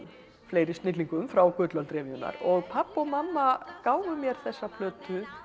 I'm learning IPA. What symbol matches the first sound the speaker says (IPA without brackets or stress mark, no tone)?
f